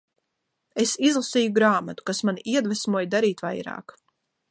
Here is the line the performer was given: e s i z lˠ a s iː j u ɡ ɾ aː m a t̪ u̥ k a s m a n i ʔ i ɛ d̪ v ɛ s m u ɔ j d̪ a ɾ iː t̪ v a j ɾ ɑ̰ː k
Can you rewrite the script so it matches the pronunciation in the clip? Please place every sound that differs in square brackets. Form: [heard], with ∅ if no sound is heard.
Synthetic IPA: e s i z lˠ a s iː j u ɡ ɾ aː m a t̪ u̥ k a s m a n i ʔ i ɛ d̪ v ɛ s m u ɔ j d̪ a ɾ iː t̪ v a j ɾ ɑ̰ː k